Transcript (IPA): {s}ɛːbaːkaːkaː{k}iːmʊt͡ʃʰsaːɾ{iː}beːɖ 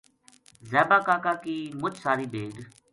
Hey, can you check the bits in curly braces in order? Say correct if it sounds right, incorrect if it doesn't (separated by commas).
incorrect, correct, correct